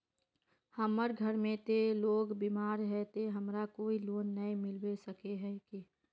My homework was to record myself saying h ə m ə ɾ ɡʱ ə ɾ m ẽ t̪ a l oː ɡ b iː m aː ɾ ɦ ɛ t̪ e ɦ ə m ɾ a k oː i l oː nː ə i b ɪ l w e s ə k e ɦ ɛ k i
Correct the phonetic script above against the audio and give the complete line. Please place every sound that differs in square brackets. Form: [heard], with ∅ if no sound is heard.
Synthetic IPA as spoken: h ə m ə ɾ ɡʱ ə ɾ m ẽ t̪ [e] l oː ɡ b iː m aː ɾ ɦ ɛ t̪ e ɦ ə m ɾ a k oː i l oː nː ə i [m] ɪ l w e s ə k e ɦ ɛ k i